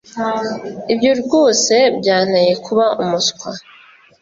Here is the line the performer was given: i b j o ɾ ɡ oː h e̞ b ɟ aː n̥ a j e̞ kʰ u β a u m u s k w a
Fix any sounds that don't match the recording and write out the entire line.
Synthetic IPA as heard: i b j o ɾ ɡ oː s e̞ b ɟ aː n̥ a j e̞ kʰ u β a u m u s k w a